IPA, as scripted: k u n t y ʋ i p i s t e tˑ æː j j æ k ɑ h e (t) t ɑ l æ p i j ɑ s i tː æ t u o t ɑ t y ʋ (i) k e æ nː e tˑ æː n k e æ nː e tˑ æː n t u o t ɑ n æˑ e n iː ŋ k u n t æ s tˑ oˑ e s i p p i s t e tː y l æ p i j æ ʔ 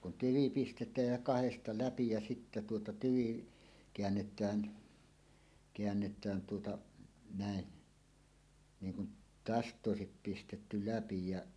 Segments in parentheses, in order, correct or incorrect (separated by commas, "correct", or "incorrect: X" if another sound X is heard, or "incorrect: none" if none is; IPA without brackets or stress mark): incorrect: s, correct